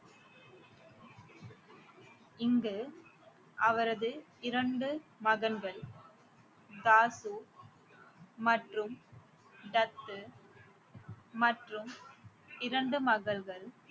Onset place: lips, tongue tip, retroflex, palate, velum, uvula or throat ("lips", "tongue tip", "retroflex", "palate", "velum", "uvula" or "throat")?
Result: velum